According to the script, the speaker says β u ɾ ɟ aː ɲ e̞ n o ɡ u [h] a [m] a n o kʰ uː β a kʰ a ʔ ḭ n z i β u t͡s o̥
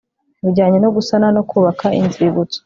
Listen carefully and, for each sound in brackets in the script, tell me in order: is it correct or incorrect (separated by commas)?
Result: incorrect, incorrect